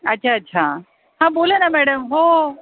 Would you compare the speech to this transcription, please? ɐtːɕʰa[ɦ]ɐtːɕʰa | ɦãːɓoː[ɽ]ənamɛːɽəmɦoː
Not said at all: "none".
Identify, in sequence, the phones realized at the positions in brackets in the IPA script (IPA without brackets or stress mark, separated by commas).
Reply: none, l